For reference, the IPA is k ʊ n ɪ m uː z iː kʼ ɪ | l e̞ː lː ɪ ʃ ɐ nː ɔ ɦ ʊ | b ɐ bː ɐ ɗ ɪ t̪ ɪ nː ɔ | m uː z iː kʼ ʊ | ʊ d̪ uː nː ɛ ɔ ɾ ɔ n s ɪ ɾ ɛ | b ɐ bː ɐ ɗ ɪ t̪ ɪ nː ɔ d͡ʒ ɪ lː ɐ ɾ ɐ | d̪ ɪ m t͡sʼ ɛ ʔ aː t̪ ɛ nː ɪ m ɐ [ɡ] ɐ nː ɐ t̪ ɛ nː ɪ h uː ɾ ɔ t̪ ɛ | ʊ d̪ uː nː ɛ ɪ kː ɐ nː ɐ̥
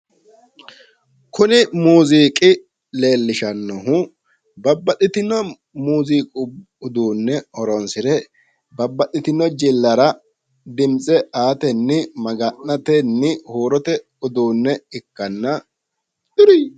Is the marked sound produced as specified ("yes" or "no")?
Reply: yes